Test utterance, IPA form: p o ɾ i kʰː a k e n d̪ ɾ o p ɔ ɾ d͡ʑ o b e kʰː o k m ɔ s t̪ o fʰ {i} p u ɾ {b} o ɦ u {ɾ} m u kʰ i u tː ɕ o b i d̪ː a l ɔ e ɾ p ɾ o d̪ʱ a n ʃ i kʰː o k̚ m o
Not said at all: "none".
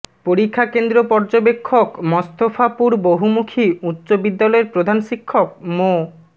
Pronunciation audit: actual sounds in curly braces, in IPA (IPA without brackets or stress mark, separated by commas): a, b, none